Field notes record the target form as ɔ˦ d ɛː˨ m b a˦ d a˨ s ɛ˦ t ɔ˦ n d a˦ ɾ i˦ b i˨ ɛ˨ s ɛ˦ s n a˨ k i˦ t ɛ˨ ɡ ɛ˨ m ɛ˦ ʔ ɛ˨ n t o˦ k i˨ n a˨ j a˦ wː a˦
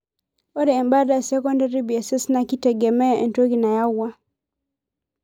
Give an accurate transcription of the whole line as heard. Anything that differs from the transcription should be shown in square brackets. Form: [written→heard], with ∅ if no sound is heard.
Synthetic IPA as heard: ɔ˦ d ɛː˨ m b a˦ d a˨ s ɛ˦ [t→k] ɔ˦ n d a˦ ɾ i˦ b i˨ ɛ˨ s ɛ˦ s n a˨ k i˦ t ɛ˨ ɡ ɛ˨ m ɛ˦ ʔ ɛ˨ n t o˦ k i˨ n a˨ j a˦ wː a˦